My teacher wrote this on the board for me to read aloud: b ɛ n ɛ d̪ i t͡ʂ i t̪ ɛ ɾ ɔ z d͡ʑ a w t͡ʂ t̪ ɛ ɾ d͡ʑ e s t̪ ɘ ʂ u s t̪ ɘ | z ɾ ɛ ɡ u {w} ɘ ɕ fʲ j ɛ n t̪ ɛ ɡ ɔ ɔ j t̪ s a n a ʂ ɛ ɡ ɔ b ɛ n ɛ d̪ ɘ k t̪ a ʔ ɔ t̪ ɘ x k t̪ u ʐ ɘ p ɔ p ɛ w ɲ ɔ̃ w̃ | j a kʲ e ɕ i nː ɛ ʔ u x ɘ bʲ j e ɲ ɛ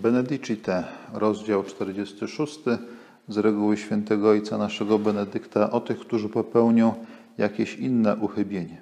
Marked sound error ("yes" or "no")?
no